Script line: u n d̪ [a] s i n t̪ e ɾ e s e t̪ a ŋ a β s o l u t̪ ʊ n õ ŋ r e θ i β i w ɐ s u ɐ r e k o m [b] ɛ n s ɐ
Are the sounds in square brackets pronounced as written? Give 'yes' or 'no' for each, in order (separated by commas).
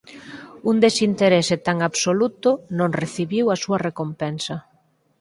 no, no